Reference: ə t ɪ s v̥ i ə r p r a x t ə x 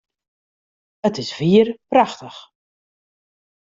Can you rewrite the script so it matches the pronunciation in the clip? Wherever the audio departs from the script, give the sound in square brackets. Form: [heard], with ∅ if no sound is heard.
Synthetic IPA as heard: ə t ɪ s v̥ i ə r p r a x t ə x

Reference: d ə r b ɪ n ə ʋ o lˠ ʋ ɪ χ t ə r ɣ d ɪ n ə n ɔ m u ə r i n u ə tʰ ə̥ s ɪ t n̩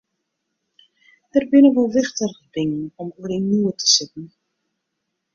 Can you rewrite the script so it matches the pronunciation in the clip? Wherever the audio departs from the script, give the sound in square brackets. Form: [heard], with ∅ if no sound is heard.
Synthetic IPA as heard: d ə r b ɪ n ə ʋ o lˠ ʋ ɪ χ t ə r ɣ d ɪ [ŋ] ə n ɔ m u ə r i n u ə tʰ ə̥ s ɪ t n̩

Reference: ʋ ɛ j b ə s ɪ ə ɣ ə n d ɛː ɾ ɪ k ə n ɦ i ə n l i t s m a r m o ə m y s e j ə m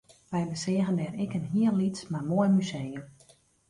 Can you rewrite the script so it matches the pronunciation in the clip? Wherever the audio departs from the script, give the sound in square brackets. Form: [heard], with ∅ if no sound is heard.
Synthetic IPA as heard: ʋ ɛ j b ə s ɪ ə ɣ ə n d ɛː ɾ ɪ k ə n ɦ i ə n l i t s m a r m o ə m y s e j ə m

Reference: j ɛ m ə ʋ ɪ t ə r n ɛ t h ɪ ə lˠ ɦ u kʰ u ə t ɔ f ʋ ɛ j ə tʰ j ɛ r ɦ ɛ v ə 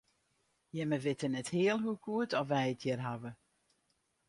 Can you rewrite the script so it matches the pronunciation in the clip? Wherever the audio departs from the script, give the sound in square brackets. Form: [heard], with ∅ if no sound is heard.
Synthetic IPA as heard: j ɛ m ə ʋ ɪ t ə [∅] n ɛ t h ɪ ə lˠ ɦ u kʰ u ə t ɔ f ʋ ɛ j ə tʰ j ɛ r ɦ [a] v ə

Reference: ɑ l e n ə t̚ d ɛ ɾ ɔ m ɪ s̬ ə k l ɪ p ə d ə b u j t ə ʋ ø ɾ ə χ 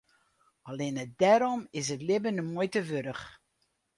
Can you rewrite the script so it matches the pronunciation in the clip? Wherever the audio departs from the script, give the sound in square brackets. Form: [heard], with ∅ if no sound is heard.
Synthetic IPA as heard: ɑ l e n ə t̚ d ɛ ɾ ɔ m ɪ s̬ ə [t] l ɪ [b] ə [n] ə [m] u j t ə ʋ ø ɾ ə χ

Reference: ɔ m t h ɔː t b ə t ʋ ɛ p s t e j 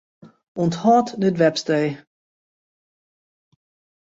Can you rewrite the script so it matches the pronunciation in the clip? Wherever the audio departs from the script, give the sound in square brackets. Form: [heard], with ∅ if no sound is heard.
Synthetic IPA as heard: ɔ [n] t h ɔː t [d] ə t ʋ ɛ p s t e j

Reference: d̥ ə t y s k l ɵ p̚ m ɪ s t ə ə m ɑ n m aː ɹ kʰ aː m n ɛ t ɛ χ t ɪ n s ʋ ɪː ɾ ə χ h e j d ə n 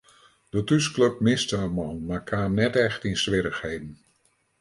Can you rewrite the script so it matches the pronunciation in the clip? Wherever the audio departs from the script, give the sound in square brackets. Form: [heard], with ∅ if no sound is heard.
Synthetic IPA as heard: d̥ ə t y s k l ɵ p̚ m ɪ s t ə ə m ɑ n m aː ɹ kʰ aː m n ɛ t ɛ χ t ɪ n s ʋ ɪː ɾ ə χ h e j d ə n

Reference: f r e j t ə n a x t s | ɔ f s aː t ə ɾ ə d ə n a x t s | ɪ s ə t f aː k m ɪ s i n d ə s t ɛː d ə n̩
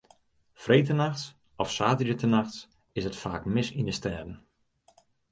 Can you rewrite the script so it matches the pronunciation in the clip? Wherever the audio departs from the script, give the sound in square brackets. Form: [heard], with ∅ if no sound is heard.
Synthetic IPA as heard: f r e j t ə n a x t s | ɔ f s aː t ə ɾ ə [t] ə n a x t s | ɪ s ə t f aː k m ɪ s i n d ə s t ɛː d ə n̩

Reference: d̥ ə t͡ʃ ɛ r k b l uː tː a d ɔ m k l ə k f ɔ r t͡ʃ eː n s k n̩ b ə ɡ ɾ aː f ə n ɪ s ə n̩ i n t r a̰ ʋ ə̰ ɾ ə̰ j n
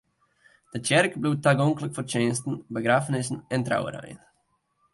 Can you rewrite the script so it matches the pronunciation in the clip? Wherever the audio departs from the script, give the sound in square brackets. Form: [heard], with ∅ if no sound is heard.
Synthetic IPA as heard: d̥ ə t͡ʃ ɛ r k b l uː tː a [ɡ] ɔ [ŋ] k l ə k f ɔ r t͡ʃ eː n s [t] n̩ b ə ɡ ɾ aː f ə n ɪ s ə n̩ [ɛ] n t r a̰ [w] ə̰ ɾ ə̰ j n

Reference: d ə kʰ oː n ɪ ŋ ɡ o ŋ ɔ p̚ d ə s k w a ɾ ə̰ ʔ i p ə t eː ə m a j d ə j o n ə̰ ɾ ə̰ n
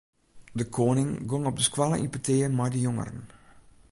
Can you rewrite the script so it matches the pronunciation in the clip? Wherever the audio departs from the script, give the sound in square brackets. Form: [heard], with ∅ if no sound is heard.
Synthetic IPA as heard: d ə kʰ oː n ɪ ŋ ɡ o ŋ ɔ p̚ d ə s k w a [l] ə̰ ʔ i p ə t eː ə m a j d ə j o [ŋ] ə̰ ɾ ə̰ n

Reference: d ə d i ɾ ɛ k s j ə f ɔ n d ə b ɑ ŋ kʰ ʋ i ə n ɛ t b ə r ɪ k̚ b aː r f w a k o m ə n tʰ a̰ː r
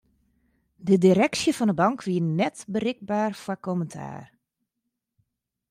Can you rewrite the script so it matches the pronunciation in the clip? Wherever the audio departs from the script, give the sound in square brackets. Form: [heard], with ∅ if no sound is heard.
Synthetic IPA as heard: d ə d i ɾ ɛ k s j ə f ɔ n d ə b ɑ ŋ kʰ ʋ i ə n ɛ t b ə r ɪ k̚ b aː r f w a k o m ə n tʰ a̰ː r

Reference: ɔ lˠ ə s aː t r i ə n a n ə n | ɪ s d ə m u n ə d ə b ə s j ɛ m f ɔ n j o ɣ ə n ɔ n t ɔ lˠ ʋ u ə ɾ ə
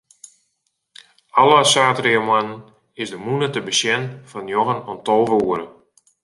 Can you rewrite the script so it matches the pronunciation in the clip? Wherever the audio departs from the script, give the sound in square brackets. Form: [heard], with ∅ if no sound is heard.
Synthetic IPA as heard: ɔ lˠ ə s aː t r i ə [m] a n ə n | ɪ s d ə m u n ə [t] ə b ə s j ɛ [n] f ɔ n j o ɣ ə n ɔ n t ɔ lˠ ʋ u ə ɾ ə

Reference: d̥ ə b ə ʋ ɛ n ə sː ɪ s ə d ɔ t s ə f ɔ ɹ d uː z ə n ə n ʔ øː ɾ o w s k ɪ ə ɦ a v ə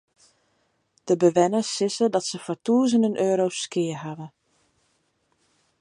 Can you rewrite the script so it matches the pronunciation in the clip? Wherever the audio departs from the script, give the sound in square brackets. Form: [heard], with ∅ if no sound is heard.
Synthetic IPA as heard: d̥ ə b ə ʋ ɛ n ə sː ɪ s ə d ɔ t s ə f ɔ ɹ [t] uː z ə n ə n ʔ øː ɾ o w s k ɪ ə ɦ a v ə

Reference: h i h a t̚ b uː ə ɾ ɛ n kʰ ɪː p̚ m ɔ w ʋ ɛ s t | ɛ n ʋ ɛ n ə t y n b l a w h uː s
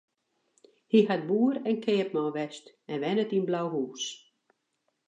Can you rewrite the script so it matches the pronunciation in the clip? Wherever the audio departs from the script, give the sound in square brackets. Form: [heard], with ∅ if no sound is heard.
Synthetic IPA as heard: h i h a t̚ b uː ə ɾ ɛ n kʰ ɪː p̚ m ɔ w ʋ ɛ s t | ɛ n ʋ ɛ n ə t [i] n b l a w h uː s

